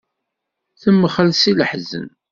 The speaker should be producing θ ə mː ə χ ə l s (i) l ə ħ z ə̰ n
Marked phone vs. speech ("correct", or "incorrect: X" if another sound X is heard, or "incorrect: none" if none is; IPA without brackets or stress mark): correct